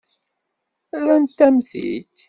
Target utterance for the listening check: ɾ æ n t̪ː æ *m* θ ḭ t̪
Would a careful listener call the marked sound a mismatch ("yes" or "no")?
no